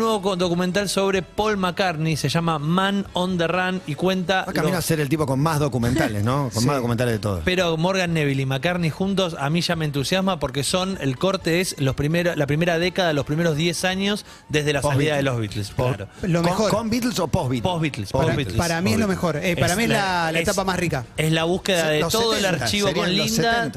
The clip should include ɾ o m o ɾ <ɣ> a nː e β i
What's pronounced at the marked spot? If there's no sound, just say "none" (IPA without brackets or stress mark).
ɣ